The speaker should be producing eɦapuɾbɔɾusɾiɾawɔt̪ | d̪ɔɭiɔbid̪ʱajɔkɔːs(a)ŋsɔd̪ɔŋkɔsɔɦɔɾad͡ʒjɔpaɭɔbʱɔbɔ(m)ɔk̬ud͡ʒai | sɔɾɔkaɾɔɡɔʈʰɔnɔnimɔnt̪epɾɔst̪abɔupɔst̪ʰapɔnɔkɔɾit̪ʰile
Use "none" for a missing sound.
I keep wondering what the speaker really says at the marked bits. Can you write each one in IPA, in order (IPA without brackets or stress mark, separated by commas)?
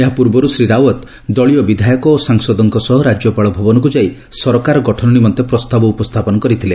a, n